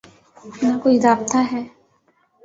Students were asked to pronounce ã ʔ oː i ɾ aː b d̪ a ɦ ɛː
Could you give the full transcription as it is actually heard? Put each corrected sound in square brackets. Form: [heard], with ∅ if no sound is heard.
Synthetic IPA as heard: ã [k] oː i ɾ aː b [t̪] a ɦ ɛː